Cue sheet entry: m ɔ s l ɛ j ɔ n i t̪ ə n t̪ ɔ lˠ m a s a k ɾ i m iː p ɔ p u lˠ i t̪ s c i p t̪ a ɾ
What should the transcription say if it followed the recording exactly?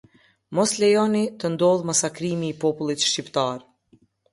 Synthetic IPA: m ɔ s l ɛ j ɔ n i t̪ ə n d̪ ɔ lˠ m a s a k ɾ i m iː p ɔ p u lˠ i t̪ ʃ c i p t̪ a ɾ